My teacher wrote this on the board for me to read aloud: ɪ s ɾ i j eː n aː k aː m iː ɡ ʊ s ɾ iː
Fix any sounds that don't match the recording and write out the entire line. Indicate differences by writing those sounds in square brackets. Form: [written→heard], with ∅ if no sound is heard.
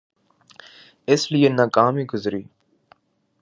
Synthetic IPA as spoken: ɪ s [ɾ→l] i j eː n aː k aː m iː ɡ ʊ [s→z] ɾ iː